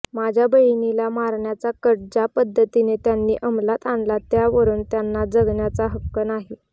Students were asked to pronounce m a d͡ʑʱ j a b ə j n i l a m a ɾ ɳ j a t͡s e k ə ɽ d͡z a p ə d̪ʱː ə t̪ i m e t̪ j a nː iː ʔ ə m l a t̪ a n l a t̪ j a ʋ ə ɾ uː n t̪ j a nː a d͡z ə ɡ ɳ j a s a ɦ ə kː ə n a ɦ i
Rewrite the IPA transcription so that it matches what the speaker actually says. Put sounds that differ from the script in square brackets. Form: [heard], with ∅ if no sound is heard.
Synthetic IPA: m a d͡ʑʱ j a b ə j n i l a m a ɾ ɳ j a t͡s [a] k ə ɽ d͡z a p ə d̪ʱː ə t̪ i [n] e t̪ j a nː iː ʔ ə m l a t̪ a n l a t̪ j a ʋ ə ɾ uː n t̪ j a nː a d͡z ə ɡ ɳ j a [t͡s] a ɦ ə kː ə n a ɦ i